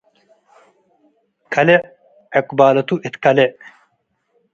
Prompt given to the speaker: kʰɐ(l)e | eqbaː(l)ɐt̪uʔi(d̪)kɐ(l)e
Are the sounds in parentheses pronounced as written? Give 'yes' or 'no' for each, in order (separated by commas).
yes, yes, no, yes